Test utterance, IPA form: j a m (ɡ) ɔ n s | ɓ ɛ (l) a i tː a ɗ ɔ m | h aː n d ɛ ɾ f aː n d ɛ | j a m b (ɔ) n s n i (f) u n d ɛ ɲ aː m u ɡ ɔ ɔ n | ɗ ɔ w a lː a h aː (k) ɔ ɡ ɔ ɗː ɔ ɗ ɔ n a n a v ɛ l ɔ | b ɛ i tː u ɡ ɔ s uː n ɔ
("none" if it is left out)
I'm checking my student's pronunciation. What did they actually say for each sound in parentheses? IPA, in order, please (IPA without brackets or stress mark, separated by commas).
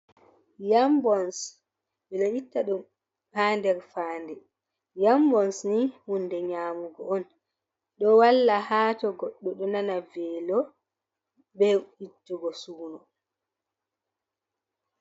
b, l, ɔ, h, t